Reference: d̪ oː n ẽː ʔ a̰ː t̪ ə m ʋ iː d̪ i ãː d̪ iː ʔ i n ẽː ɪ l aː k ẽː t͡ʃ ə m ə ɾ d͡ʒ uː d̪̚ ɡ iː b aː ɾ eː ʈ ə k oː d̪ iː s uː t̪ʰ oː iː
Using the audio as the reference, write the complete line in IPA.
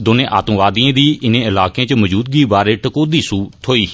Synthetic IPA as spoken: d̪ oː n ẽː ʔ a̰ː t̪ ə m ʋ aː d̪ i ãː d̪ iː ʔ ɪ n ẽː ɪ l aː k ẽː t͡ʃ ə m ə d͡ʒ uː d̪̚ ɡ iː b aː ɾ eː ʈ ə k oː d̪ iː s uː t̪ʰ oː iː